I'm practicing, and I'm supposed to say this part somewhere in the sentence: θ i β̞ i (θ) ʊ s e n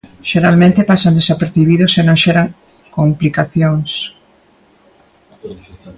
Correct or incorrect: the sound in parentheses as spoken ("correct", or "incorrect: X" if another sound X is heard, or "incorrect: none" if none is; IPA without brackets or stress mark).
incorrect: ð